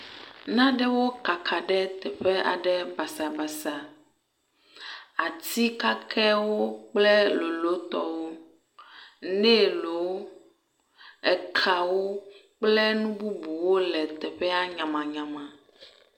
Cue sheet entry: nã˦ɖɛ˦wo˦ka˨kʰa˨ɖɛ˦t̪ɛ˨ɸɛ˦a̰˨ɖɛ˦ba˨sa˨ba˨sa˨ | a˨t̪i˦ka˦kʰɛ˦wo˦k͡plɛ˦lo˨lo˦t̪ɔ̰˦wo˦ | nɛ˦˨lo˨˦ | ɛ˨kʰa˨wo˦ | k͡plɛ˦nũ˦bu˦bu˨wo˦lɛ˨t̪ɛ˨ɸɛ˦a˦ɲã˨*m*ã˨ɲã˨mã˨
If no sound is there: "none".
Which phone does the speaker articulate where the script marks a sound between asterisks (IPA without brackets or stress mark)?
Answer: m